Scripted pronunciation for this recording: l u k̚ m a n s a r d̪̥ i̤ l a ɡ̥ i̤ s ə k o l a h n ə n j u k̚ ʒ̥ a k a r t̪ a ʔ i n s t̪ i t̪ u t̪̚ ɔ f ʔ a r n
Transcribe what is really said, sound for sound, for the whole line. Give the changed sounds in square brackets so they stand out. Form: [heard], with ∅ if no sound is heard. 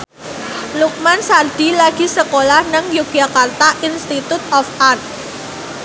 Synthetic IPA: l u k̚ m a n s a r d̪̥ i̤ l a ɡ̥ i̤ s ə k o l a h n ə [ŋ] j u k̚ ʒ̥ a k a r t̪ a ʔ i n s t̪ i t̪ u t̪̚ ɔ f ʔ a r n